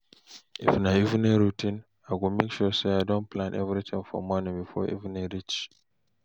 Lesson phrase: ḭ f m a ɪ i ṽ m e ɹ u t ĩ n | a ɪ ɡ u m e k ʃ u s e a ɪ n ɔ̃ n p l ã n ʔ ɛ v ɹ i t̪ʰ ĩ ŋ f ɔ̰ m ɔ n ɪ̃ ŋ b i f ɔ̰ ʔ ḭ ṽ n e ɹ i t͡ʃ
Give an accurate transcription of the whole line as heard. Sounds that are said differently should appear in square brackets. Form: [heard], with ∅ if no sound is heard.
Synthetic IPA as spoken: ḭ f [n] a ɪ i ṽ [n] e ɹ u t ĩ n | a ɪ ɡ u m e k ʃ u s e a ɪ [d] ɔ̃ n p l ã n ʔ ɛ v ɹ i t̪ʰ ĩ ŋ f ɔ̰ m ɔ n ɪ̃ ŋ b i f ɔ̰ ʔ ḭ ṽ n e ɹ i t͡ʃ